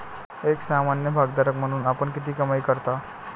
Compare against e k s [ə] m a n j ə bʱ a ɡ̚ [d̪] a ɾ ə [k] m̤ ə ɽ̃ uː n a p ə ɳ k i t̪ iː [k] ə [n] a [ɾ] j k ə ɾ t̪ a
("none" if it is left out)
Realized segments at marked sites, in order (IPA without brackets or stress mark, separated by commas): a, d̪, k, k, m, none